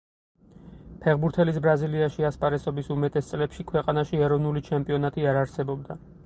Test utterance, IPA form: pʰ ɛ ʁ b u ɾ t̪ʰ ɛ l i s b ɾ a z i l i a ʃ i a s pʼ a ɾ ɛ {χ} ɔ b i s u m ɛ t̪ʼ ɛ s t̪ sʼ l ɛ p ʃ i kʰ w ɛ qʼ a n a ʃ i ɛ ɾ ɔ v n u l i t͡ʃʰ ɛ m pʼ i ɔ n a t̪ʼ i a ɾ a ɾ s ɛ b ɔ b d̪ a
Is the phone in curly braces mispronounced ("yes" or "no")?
yes